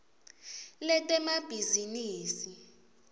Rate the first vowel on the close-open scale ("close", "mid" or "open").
mid